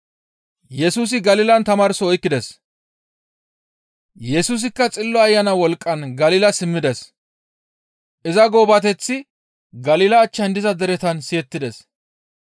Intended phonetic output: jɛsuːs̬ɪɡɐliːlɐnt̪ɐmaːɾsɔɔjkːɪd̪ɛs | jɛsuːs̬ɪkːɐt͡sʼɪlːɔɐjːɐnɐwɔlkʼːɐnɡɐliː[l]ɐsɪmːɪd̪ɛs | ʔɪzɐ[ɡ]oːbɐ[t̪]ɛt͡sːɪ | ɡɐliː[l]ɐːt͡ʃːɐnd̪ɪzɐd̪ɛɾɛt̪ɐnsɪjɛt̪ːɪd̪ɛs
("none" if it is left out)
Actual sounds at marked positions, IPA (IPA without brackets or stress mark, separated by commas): l, ɡ, t̪, l